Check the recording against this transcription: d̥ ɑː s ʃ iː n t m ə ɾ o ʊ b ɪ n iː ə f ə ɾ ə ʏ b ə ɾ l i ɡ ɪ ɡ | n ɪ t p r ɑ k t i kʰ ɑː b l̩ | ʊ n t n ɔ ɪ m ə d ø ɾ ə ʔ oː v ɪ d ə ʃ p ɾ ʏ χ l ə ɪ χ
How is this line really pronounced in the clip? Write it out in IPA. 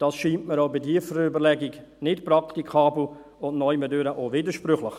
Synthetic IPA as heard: d̥ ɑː s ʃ iː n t m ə ɾ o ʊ b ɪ d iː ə f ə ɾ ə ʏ b ə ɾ l ɛ ɡ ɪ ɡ | n ɪ t p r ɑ k t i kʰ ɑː b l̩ | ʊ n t n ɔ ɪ m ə d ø ɾ ə ʔ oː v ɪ d ə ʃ p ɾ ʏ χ l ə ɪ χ